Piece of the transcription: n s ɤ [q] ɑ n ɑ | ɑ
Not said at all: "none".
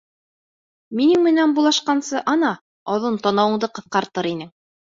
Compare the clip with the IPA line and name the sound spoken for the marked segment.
ʔ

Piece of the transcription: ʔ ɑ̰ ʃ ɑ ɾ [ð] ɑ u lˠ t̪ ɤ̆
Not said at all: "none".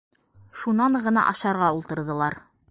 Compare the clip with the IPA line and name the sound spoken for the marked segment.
ʁ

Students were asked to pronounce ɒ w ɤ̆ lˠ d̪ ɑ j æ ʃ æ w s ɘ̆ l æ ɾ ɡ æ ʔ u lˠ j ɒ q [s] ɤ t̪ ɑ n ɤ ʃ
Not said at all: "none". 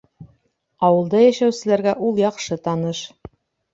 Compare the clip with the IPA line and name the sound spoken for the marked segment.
ʃ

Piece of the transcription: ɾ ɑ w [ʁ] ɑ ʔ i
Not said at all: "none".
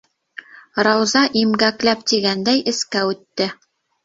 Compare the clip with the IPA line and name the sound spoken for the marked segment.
z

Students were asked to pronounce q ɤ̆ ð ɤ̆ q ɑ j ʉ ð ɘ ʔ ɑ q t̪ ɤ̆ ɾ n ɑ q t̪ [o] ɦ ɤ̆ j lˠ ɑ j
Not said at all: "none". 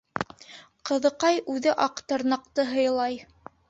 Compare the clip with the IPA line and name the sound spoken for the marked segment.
ɤ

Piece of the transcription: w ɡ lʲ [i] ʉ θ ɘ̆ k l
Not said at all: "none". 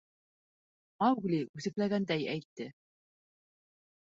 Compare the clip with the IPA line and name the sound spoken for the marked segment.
i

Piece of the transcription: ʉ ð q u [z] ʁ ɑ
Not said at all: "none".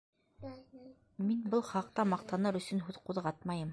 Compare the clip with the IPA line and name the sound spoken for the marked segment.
ð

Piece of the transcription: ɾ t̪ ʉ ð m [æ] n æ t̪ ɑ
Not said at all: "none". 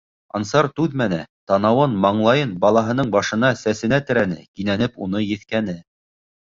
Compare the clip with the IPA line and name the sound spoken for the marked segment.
æ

